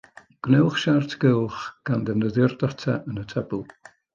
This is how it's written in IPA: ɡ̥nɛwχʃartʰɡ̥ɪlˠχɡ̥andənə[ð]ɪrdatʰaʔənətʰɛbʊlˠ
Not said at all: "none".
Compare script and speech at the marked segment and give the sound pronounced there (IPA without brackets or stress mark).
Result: ð